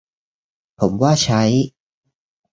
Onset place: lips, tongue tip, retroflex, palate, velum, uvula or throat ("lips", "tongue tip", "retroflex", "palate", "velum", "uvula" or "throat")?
lips